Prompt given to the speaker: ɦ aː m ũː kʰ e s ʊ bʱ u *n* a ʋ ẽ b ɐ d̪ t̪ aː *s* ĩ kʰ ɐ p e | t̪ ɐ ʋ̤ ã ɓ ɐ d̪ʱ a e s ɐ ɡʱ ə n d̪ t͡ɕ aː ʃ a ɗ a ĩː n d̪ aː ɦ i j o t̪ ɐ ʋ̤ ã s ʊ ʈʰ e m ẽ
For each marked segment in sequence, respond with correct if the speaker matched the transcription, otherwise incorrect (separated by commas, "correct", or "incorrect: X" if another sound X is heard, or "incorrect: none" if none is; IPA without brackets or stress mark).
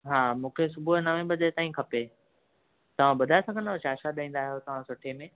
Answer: correct, incorrect: none